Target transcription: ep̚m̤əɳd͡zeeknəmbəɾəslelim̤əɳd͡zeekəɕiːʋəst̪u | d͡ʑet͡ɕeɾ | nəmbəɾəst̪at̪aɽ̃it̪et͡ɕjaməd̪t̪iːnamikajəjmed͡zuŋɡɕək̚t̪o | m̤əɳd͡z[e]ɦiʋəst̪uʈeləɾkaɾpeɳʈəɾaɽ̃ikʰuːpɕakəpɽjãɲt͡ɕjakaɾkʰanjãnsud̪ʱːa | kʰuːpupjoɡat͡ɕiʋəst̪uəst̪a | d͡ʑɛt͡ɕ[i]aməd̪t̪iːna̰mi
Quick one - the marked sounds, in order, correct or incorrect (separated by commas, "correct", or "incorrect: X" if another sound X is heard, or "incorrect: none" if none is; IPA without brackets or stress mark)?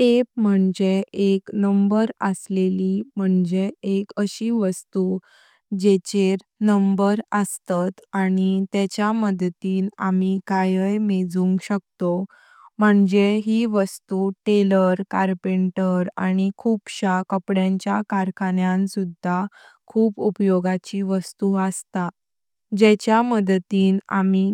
correct, incorrect: j